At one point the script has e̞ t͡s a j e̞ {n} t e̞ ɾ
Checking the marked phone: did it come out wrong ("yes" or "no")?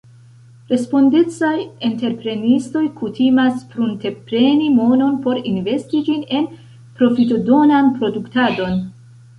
no